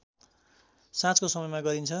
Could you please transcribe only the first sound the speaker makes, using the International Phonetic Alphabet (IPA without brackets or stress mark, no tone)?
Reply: s